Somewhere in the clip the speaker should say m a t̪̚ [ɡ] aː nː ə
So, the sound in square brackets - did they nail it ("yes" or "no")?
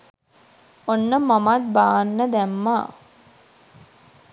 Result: no